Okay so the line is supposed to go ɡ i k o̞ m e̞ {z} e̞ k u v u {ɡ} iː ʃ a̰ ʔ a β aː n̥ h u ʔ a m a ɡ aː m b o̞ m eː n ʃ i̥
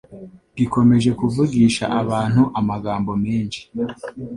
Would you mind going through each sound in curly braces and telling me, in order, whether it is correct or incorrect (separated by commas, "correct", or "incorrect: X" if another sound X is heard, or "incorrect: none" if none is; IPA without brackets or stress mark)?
incorrect: ʒ, correct